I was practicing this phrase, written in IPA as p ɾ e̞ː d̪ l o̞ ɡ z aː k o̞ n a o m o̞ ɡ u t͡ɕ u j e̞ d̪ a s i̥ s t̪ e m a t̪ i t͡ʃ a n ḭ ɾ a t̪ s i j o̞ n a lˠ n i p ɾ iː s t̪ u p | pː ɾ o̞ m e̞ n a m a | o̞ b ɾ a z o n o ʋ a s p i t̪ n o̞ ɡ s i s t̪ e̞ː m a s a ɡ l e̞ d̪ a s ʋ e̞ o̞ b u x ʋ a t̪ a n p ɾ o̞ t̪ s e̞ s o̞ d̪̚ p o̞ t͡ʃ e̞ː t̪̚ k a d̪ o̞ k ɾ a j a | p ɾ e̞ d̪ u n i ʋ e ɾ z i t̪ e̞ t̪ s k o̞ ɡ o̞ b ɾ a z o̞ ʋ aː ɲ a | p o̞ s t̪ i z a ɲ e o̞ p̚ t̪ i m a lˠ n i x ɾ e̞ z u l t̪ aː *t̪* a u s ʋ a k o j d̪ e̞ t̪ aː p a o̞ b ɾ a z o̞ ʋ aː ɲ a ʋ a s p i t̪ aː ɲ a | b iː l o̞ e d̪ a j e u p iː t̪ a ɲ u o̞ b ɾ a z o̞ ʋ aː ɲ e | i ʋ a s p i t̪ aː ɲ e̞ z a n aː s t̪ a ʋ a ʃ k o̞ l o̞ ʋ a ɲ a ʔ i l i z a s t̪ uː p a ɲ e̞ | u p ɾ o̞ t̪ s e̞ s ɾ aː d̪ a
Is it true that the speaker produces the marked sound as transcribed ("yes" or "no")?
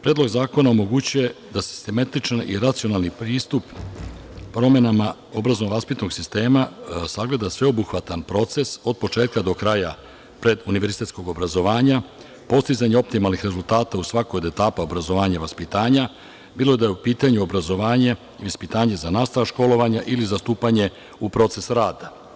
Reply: yes